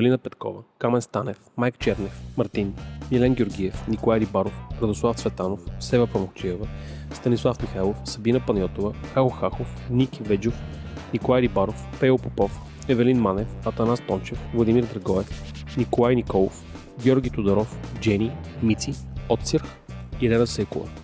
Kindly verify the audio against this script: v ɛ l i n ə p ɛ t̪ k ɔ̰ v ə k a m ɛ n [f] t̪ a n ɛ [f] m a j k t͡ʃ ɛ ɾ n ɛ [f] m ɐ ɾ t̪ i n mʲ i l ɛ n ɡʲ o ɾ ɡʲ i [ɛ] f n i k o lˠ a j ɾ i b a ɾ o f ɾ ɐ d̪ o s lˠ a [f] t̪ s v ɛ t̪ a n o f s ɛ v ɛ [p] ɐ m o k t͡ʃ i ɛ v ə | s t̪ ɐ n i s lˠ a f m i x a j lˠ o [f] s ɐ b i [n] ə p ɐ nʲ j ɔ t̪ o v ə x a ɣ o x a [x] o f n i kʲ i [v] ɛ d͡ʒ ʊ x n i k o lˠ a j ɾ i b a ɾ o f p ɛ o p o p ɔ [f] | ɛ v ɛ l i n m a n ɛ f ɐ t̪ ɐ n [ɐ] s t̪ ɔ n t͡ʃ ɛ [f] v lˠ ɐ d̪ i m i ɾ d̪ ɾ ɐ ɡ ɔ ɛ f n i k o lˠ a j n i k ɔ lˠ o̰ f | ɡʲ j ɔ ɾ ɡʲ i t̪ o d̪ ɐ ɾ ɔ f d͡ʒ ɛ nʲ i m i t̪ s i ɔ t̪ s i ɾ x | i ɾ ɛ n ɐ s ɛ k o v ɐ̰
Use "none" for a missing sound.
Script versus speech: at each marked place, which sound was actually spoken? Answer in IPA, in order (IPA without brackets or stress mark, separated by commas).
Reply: s, f, f, ɛ, f, p, f, n, x, v, f, a, f